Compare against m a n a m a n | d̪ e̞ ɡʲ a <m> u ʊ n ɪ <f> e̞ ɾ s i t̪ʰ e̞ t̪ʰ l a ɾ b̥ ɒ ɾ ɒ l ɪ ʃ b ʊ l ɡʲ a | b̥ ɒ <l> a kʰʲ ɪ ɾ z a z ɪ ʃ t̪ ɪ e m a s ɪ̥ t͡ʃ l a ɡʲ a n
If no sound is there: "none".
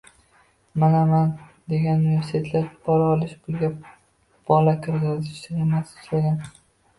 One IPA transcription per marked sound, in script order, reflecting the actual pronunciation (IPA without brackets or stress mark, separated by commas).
n, v, l